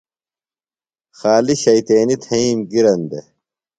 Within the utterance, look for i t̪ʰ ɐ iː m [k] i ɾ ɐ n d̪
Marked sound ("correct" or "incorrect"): incorrect